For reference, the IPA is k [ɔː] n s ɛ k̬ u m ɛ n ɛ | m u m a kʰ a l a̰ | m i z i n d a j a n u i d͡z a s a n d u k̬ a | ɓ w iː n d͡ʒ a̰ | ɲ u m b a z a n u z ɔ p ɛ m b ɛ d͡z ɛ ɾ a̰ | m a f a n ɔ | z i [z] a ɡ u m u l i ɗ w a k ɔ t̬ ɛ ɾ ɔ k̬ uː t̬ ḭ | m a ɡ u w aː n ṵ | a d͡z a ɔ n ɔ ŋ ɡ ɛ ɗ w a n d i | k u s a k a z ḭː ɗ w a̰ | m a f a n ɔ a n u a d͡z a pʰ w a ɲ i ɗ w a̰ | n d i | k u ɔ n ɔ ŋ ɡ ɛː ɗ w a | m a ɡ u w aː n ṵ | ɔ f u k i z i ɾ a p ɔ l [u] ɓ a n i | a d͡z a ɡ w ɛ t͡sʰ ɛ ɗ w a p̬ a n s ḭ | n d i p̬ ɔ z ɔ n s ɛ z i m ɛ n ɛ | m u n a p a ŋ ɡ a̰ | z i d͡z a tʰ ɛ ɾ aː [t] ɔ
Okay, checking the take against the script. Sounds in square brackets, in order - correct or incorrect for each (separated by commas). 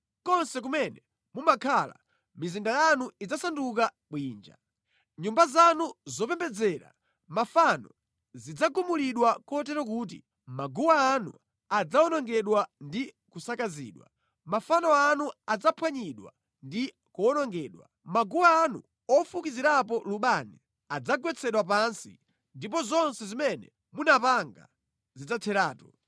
incorrect, incorrect, correct, correct